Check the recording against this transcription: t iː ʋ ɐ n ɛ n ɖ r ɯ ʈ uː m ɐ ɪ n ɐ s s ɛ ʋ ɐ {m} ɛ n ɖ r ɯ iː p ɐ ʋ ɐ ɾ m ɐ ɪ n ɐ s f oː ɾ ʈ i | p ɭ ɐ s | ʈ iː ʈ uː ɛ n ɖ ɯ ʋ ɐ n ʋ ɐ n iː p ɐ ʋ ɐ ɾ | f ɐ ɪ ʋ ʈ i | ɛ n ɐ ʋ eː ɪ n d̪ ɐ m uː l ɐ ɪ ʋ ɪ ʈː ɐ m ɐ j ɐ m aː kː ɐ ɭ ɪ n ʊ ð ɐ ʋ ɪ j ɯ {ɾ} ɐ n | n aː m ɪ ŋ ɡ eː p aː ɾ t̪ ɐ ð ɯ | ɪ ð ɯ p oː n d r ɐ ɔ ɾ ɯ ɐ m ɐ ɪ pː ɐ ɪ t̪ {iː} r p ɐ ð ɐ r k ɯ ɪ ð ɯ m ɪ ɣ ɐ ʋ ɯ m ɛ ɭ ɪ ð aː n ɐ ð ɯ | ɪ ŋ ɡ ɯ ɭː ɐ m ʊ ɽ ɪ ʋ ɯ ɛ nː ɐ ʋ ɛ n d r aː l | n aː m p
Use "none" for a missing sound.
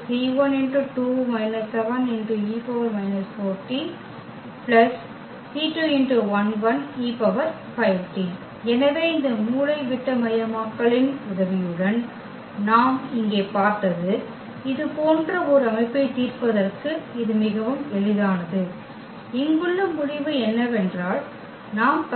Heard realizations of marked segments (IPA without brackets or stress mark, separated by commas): n, ɽ, iː